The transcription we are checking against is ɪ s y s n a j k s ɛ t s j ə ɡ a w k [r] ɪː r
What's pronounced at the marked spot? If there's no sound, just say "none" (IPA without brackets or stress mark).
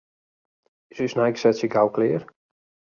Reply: l